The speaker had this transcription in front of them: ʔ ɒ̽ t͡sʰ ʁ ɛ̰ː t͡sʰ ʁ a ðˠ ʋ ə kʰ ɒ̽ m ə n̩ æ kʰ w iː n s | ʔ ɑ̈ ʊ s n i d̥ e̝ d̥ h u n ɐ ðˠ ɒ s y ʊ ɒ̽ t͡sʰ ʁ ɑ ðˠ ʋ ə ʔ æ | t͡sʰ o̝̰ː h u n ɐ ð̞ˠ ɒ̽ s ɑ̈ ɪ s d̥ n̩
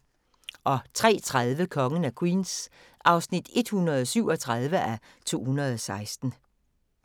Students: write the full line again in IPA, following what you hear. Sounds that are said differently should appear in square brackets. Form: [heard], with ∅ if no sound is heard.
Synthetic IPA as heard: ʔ ɒ̽ t͡sʰ ʁ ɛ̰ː t͡sʰ ʁ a ðˠ ʋ ə kʰ ɒ̽ [ŋ] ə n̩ æ kʰ w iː n s | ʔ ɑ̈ ʊ s n i d̥ e̝ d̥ h u n ɐ ðˠ ɒ s y ʊ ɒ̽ t͡sʰ ʁ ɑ ðˠ ʋ ə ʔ æ | t͡sʰ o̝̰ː h u n ɐ ð̞ˠ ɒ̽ s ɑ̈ ɪ s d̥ n̩